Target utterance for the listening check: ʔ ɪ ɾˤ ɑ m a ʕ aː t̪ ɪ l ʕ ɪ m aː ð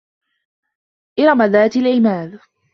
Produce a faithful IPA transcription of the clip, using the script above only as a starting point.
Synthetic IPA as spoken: ʔ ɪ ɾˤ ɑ m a ð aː t̪ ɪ l ʕ ɪ m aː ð